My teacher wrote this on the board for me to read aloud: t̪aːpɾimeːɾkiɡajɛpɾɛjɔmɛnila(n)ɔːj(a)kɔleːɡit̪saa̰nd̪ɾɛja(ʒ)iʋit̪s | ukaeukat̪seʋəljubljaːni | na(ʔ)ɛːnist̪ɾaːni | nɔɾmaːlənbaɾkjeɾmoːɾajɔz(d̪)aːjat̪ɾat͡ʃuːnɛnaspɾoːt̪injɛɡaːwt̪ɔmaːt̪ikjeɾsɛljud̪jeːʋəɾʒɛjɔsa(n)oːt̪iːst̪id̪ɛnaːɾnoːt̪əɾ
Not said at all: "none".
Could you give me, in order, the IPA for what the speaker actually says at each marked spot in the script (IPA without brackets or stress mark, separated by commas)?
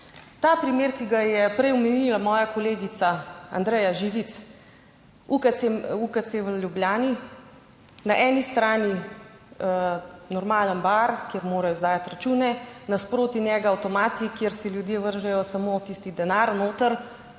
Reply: m, a, ʒ, ʔ, d̪, m